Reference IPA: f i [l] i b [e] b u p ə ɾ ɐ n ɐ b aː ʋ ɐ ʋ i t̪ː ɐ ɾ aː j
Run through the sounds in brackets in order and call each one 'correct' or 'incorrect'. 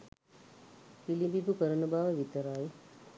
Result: correct, incorrect: i

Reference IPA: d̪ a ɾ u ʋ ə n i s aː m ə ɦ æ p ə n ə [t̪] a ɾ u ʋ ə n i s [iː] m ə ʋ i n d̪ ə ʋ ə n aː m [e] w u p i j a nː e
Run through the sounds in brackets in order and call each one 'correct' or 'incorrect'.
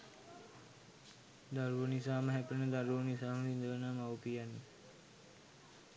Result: incorrect: d̪, incorrect: aː, incorrect: a

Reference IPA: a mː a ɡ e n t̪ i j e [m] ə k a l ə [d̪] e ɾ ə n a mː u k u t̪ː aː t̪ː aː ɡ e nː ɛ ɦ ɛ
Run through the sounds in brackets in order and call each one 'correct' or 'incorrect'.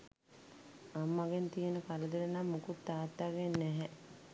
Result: incorrect: n, correct

